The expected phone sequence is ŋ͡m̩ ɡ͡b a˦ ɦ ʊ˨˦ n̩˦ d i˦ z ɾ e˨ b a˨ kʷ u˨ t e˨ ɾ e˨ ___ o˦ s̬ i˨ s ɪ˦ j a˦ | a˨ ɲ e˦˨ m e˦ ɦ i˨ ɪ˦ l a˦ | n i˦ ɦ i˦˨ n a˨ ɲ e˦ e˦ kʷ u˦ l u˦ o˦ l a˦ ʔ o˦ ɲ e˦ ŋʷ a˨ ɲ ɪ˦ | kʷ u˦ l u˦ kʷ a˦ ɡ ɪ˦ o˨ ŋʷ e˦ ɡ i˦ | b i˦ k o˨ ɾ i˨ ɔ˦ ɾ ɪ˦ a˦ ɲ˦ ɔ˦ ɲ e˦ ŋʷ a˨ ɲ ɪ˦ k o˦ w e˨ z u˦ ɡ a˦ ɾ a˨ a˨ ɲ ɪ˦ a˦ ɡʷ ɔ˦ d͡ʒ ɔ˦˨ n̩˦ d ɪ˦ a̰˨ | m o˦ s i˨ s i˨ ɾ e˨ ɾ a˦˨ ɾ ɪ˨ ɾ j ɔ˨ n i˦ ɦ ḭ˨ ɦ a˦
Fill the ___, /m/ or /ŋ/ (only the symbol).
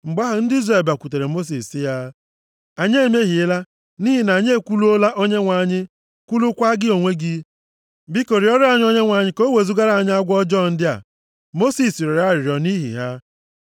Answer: m